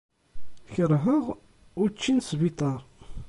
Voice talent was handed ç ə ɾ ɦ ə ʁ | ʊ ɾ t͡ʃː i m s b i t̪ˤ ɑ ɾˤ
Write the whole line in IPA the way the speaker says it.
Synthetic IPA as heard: ç ə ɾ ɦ ə ʁ | ʊ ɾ t͡ʃː i n s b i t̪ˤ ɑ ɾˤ